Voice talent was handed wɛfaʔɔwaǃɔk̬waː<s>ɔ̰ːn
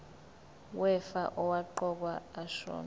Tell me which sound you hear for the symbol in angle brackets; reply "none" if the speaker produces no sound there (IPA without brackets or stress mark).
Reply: ʃ